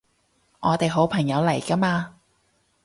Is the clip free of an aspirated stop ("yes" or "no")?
no